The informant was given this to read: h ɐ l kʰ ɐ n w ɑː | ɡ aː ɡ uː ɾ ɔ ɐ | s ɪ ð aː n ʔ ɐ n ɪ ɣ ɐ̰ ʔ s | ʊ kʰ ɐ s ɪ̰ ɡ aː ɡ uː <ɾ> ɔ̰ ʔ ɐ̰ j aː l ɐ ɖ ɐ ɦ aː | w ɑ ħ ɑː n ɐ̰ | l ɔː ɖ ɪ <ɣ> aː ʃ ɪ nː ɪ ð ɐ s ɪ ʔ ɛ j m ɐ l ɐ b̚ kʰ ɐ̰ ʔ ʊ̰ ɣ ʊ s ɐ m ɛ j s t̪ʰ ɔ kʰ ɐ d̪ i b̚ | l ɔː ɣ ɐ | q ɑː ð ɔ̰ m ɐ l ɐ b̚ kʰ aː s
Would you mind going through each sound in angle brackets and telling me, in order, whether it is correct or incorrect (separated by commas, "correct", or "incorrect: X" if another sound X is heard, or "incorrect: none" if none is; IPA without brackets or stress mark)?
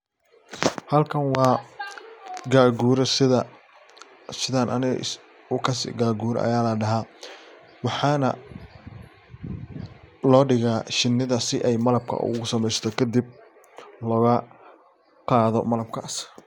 correct, correct